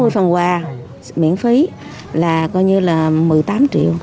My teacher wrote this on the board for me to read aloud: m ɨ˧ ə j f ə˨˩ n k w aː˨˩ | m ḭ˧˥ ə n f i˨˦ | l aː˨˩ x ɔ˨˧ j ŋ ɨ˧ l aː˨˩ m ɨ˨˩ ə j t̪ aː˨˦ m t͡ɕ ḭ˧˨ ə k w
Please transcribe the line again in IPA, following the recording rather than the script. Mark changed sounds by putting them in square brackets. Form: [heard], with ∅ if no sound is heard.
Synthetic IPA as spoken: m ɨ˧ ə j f ə˨˩ n k w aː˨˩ | m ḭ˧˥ ə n f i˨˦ | l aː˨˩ [k] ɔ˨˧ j [ɲ] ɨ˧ l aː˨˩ m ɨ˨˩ ə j t̪ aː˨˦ m t͡ɕ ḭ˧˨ ə [∅] w